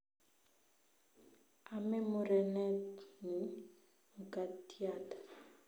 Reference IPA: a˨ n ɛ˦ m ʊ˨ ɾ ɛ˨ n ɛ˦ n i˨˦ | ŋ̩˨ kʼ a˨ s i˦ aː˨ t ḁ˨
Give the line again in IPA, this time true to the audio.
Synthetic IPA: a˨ m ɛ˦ m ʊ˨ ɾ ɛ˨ n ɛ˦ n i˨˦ | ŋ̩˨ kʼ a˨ t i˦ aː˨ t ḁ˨